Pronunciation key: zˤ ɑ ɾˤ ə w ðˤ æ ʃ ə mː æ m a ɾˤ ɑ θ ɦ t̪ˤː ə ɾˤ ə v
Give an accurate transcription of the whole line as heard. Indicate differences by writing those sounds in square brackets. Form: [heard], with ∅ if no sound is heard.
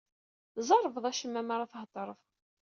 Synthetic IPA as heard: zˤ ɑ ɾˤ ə [v] ðˤ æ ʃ ə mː æ m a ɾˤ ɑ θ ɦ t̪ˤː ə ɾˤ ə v